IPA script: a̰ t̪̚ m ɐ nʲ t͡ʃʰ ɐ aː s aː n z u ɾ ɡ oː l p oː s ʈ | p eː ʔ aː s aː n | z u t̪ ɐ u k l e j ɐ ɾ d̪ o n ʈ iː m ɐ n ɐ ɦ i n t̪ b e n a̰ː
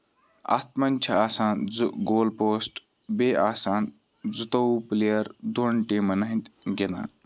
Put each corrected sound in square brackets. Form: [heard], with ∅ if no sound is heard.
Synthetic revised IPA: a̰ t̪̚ m ɐ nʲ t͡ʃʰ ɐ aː s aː n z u [∅] ɡ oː l p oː s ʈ | [b] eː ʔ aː s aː n | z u t̪ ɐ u [p] l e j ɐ ɾ d̪ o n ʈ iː m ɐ n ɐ ɦ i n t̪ [ɡ] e n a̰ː